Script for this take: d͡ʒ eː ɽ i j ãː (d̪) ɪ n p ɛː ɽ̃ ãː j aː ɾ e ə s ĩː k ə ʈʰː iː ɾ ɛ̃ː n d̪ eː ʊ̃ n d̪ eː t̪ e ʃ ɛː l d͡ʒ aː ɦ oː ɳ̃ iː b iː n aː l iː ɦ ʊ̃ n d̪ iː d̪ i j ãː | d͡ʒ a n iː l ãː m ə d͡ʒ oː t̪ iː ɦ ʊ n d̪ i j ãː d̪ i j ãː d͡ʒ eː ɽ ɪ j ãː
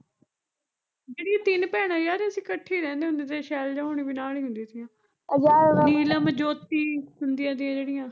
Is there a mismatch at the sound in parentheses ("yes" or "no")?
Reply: yes